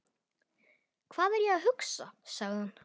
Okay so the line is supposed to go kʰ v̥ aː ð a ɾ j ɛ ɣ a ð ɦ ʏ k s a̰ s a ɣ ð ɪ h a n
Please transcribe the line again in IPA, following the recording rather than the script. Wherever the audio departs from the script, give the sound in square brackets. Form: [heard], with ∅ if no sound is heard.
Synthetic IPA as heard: kʰ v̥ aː ð [ɛ] ɾ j ɛ ɣ a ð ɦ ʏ k s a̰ s a ɣ ð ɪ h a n